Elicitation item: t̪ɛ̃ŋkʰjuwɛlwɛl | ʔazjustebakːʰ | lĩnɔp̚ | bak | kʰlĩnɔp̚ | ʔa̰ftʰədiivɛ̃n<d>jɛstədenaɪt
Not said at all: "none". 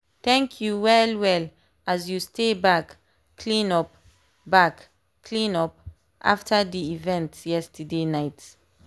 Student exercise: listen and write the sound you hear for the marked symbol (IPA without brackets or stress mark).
t